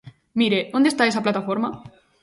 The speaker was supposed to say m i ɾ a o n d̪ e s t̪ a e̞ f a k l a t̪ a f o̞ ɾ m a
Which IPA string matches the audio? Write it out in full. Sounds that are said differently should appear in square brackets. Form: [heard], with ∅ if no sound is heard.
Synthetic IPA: m i ɾ [e] o n d̪ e s t̪ a e̞ [s] a [p] l a t̪ a f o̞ ɾ m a

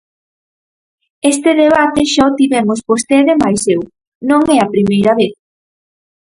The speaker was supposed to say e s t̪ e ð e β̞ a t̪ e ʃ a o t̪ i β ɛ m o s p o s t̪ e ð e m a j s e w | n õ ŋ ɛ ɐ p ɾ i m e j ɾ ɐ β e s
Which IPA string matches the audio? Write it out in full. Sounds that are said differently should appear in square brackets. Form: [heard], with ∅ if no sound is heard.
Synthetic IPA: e s t̪ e ð e β̞ a t̪ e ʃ a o t̪ i β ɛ m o s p o s t̪ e ð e m a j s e w | n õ ŋ ɛ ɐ p ɾ i m e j ɾ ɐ β e [θ]

